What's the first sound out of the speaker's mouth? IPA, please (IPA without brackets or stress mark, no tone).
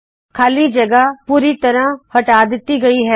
kʰ